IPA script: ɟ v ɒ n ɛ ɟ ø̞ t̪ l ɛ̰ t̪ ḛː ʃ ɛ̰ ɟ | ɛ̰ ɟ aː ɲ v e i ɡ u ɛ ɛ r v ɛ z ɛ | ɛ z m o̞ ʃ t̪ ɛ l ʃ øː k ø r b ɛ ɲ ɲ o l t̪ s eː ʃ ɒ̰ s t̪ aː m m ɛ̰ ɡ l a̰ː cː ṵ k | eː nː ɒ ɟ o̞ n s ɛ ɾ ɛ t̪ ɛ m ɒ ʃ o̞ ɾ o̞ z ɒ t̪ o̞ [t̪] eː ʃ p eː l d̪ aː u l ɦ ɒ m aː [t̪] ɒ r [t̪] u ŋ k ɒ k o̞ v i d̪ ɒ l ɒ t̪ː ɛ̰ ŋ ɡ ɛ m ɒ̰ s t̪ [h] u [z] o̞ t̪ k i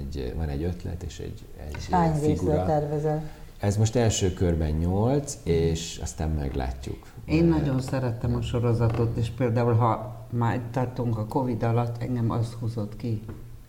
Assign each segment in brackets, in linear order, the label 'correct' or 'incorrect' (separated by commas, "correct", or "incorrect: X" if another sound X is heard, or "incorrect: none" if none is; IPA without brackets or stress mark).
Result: correct, correct, correct, correct, correct